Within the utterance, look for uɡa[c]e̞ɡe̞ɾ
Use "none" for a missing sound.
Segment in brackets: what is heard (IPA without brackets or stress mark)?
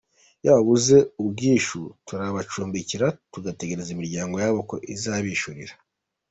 t